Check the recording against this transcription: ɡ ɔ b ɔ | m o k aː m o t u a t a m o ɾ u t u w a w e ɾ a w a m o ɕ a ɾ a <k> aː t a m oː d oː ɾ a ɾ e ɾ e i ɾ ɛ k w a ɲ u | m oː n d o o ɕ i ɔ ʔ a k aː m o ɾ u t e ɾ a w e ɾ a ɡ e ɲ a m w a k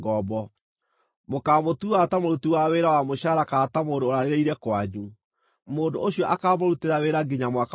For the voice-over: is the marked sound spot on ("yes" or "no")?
yes